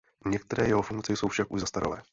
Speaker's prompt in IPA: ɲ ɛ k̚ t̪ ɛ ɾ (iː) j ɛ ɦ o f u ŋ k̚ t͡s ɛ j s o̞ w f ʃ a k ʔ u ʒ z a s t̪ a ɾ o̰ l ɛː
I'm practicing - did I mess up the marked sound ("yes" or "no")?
yes